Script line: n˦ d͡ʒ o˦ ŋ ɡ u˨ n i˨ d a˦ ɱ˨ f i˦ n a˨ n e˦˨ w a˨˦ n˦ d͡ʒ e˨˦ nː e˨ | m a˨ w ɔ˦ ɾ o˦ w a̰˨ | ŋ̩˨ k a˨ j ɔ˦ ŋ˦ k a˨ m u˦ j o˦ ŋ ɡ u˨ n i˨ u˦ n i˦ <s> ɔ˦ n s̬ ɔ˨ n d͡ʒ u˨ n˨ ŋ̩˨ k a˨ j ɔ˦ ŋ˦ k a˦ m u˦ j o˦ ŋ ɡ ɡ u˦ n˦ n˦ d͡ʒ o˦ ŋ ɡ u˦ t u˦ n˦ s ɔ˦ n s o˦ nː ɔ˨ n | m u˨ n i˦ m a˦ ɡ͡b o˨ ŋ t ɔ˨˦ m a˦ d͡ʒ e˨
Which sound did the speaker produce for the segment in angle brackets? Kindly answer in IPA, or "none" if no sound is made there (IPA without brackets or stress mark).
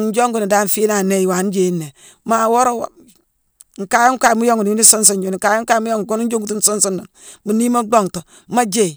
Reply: s